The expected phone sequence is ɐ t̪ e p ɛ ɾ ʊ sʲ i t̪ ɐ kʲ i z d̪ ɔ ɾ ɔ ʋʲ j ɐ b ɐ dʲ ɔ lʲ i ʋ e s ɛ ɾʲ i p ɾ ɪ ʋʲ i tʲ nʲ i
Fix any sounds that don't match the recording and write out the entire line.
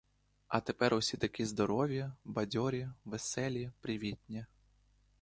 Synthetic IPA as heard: ɐ t̪ e p ɛ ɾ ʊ sʲ i t̪ ɐ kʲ i z d̪ ɔ ɾ ɔ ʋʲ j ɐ b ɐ dʲ ɔ ɾʲ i ʋ e s ɛ lʲ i p ɾ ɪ ʋʲ i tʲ nʲ i